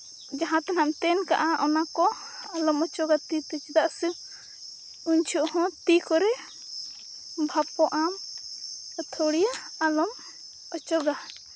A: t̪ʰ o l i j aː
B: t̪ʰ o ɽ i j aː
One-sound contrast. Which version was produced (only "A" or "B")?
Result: B